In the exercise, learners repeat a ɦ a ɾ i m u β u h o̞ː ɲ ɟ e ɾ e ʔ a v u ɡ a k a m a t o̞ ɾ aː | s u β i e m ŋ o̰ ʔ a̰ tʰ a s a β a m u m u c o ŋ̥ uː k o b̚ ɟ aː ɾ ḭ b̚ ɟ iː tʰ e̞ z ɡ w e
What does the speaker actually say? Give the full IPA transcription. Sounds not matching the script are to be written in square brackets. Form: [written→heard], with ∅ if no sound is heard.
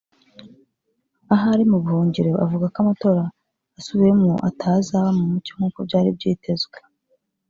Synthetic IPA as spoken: a ɦ a ɾ i m u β u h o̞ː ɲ ɟ e ɾ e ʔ a v u ɡ a k a m a t o̞ ɾ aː | s u β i e m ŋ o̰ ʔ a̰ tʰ a [s→z] a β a m u m u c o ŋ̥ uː k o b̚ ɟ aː ɾ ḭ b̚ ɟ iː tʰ e̞ z ɡ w e